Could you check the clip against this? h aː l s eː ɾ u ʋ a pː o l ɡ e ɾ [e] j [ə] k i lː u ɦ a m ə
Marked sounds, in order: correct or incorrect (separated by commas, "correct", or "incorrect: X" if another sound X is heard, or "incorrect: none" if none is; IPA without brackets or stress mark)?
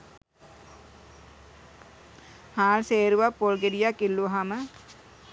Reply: incorrect: i, incorrect: a